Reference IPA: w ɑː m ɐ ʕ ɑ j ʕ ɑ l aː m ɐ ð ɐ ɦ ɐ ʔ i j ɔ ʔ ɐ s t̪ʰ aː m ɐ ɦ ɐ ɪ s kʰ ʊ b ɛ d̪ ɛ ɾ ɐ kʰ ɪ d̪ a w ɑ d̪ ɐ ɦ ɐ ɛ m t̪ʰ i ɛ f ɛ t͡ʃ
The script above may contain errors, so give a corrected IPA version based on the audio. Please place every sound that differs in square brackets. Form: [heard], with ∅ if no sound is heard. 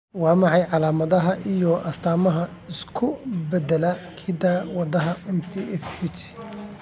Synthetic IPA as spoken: w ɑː m [ɑ] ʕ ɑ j ʕ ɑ l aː m ɐ ð ɐ ɦ ɐ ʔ i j ɔ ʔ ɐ s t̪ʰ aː m ɐ ɦ ɐ ɪ s kʰ ʊ b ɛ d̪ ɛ [l] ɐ kʰ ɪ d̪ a w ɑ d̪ ɐ ɦ ɐ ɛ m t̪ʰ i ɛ f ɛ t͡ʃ